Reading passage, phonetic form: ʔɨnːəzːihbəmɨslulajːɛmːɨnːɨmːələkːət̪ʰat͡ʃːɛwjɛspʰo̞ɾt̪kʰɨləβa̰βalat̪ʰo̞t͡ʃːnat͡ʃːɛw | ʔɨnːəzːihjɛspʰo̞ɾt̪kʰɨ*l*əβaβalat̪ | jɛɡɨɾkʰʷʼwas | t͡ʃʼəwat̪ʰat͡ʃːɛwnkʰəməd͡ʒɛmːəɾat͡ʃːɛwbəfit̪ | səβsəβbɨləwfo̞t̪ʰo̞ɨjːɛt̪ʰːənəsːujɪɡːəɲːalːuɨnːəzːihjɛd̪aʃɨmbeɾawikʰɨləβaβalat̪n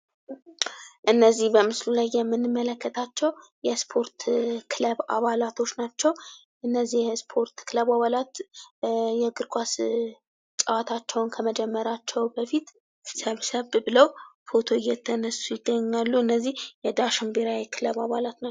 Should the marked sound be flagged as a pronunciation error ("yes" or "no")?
no